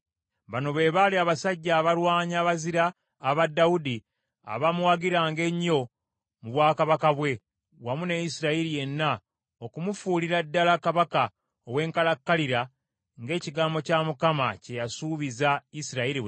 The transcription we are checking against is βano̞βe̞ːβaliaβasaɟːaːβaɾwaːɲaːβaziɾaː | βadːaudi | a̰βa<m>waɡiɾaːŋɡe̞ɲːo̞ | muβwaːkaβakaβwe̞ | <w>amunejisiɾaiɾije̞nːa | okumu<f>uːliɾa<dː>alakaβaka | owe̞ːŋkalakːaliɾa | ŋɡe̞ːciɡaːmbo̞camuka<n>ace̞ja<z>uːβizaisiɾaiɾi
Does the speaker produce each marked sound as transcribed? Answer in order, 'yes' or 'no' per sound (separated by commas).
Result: yes, yes, yes, yes, no, no